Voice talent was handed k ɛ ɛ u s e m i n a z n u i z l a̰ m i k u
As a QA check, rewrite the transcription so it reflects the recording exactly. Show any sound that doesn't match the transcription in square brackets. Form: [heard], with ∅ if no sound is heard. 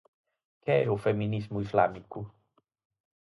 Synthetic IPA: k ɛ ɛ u [f] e m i n [i] z [m] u i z l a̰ m i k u